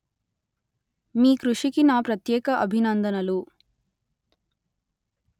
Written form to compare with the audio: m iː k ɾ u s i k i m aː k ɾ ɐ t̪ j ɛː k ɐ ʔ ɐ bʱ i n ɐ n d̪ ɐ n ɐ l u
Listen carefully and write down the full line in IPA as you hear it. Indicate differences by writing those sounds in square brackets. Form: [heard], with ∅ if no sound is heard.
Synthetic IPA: m iː k ɾ u [ʂ] i k i [n] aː [p] ɾ ɐ t̪ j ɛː k ɐ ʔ ɐ bʱ i n ɐ n d̪ ɐ n ɐ l u